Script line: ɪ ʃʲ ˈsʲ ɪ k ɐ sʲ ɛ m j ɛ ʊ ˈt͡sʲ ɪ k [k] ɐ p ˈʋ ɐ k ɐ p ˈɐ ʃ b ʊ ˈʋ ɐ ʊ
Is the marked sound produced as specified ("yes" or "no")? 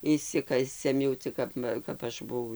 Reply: yes